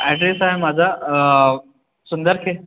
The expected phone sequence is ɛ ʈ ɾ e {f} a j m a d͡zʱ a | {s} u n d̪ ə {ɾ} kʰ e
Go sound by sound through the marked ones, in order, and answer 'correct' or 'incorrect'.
incorrect, correct, correct

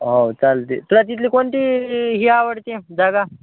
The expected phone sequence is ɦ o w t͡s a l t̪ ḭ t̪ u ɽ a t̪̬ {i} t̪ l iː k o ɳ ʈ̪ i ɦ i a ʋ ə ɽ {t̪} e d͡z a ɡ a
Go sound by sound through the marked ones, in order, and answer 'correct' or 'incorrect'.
correct, correct

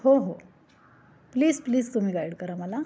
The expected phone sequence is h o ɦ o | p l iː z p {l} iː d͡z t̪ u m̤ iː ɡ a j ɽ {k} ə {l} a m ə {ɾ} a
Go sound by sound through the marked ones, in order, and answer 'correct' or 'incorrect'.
correct, correct, incorrect, incorrect

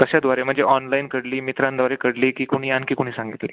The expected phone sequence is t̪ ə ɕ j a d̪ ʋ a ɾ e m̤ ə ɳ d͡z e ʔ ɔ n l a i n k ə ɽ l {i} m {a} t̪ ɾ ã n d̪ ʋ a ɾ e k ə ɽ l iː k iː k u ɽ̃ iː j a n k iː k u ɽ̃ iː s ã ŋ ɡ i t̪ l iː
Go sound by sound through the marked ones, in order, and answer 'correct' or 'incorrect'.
incorrect, incorrect

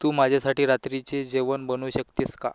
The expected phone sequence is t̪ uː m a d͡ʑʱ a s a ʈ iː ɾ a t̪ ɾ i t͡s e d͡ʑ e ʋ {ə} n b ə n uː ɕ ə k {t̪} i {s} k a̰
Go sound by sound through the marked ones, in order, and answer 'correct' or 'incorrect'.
correct, correct, correct

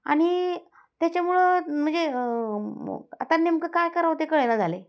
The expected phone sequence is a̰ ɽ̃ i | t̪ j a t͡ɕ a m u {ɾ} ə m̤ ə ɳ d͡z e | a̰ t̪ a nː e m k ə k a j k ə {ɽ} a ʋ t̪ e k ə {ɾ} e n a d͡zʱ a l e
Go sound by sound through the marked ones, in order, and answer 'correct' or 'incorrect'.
incorrect, incorrect, incorrect

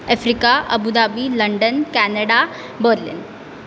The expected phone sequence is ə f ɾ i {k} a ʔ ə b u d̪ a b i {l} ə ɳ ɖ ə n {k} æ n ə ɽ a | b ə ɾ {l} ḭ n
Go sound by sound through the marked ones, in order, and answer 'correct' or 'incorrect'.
correct, correct, correct, correct

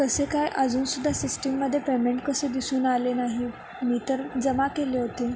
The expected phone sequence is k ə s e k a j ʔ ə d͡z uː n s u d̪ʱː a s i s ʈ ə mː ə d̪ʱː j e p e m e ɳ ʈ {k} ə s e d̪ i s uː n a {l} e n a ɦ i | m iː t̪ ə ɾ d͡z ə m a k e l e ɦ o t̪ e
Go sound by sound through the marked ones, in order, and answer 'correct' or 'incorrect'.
correct, correct

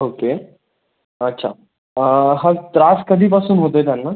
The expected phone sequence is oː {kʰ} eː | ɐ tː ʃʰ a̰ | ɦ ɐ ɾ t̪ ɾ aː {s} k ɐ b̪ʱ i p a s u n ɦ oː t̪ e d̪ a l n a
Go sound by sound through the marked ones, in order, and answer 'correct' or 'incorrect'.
incorrect, correct

